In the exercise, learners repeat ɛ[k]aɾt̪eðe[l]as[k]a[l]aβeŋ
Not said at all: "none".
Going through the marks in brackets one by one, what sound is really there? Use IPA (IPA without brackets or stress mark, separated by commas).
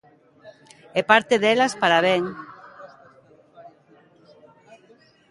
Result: p, l, p, ɾ